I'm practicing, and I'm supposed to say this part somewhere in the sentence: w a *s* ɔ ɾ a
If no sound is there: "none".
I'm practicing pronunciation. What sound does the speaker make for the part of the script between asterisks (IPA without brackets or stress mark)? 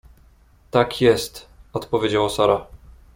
s